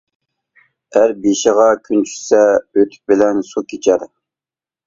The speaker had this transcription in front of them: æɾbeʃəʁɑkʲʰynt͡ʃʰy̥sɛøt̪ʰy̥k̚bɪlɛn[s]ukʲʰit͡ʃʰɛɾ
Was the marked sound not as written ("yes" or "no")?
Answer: no